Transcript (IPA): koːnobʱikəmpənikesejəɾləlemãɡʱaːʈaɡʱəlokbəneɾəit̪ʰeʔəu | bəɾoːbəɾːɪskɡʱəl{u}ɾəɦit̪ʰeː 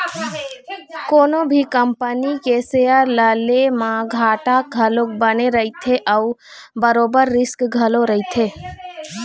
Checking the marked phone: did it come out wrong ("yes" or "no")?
yes